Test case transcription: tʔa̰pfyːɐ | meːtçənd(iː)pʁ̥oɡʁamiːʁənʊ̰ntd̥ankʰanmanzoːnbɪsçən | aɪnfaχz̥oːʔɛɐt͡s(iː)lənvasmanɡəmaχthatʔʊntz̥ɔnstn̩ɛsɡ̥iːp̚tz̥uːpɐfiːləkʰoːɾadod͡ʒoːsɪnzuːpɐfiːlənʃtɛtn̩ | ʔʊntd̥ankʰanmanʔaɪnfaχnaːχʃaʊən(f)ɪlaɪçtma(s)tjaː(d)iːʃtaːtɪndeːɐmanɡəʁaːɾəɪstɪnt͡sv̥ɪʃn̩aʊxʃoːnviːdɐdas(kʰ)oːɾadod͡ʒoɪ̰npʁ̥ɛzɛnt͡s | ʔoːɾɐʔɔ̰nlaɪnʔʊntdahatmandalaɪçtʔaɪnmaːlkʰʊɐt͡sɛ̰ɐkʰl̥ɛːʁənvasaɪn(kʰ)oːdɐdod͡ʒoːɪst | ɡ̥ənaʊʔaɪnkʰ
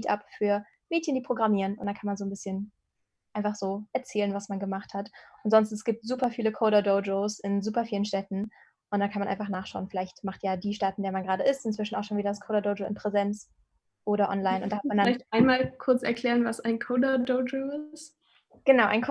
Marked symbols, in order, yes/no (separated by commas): yes, no, yes, no, yes, yes, yes